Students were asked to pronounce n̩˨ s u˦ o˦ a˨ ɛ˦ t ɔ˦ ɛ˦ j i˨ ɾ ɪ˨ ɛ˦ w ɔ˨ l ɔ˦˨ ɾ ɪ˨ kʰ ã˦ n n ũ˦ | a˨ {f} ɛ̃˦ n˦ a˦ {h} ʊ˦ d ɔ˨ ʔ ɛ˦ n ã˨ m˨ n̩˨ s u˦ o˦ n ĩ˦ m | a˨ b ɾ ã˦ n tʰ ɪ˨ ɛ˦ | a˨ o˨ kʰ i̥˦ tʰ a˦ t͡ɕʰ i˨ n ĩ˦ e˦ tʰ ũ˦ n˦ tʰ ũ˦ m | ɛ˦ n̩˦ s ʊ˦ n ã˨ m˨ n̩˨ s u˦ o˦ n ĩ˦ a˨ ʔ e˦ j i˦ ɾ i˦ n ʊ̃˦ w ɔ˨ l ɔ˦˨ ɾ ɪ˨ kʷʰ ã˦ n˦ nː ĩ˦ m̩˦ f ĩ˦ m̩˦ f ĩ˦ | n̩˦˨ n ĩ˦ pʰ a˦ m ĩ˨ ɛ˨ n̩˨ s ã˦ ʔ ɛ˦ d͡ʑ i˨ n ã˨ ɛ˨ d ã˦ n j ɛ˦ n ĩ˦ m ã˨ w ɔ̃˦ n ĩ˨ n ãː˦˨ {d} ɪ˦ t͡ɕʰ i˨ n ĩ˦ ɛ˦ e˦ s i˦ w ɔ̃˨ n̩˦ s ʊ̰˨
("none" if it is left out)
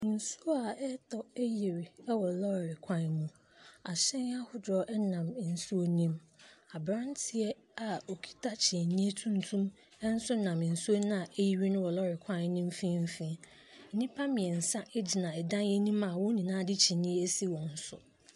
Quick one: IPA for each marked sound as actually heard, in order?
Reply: ɕ, h, d

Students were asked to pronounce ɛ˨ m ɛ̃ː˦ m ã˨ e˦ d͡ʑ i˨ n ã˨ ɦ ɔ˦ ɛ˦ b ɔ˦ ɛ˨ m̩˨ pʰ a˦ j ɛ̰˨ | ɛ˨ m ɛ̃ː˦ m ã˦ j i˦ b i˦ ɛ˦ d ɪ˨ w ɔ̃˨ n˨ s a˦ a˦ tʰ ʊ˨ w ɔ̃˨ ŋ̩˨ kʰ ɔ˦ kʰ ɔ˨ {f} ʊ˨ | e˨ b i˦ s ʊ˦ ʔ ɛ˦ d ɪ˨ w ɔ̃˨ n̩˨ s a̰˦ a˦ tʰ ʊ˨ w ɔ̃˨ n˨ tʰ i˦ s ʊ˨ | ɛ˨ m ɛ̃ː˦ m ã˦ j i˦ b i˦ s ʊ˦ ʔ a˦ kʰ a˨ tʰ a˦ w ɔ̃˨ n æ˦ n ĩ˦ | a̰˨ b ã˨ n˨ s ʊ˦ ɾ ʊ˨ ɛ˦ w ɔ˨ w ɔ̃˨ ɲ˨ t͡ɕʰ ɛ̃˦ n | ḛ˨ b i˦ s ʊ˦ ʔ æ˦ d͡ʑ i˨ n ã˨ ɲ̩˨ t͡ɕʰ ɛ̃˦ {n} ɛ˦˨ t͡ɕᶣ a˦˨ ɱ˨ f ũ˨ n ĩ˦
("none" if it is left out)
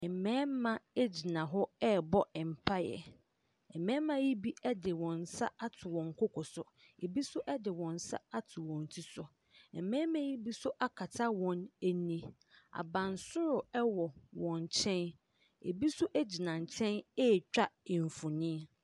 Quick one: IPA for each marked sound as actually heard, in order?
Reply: s, n

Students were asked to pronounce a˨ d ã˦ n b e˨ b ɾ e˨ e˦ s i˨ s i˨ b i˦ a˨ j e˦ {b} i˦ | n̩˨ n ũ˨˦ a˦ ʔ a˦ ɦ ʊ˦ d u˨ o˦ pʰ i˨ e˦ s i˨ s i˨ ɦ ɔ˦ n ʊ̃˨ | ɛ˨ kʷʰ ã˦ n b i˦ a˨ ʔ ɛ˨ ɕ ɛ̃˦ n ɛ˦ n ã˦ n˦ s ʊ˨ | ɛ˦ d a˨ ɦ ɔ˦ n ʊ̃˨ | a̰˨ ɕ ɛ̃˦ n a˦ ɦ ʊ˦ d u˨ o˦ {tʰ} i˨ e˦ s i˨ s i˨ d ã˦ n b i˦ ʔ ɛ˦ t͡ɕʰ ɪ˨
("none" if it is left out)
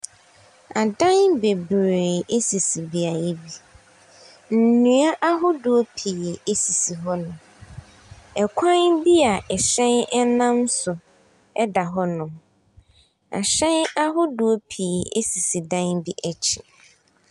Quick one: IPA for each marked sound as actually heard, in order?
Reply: b, pʰ

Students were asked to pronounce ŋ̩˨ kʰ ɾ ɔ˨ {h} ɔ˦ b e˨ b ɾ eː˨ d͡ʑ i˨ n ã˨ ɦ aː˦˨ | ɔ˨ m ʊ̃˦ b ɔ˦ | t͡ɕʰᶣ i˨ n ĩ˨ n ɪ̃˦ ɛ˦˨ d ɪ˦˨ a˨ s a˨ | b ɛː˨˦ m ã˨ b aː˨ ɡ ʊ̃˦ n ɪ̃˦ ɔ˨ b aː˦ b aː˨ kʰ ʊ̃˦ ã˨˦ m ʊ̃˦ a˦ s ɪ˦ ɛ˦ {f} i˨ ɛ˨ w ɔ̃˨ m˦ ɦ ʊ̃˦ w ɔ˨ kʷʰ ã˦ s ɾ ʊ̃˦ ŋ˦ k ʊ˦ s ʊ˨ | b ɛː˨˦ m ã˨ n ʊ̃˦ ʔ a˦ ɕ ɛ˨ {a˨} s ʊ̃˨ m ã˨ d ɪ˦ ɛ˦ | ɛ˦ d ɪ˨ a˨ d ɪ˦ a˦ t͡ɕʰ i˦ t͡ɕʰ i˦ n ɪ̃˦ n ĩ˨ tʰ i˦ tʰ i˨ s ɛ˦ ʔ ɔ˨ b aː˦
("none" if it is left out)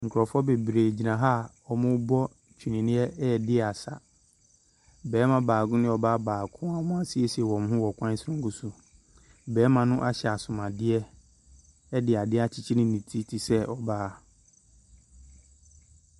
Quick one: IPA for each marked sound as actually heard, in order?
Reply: f, s, a˨

